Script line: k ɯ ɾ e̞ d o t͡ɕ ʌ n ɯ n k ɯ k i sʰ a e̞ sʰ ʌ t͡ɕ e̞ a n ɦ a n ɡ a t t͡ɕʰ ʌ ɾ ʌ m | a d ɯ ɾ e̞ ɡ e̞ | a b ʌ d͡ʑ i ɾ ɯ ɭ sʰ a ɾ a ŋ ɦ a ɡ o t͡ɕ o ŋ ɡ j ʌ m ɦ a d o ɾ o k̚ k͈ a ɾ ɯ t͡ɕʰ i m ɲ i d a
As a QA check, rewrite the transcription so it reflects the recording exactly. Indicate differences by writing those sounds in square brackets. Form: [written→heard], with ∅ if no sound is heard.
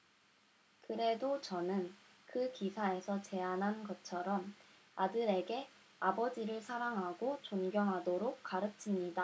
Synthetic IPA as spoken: k ɯ ɾ e̞ d o t͡ɕ ʌ n ɯ n k ɯ k i sʰ a e̞ sʰ ʌ t͡ɕ e̞ a n ɦ a n ɡ [a→ʌ] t t͡ɕʰ ʌ ɾ ʌ m | a d ɯ ɾ e̞ ɡ e̞ | a b ʌ d͡ʑ i ɾ ɯ ɭ sʰ a ɾ a ŋ ɦ a ɡ o t͡ɕ o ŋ ɡ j ʌ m ɦ a d o ɾ o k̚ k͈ a ɾ ɯ t͡ɕʰ i m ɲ i d a